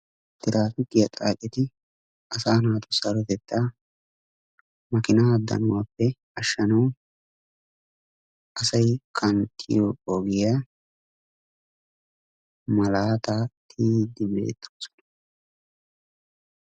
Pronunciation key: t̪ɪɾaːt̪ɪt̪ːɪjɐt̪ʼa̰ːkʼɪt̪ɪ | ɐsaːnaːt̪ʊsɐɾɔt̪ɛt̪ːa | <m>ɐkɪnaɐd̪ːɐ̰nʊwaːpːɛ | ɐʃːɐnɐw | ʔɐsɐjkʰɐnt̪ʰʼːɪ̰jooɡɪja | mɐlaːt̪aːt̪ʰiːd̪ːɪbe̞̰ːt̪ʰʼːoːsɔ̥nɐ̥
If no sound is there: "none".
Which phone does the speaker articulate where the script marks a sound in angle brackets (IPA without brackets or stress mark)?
m